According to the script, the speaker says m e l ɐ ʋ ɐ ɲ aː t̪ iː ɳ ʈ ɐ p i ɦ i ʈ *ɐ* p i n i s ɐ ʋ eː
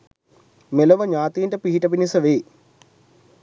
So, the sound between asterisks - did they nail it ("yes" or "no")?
yes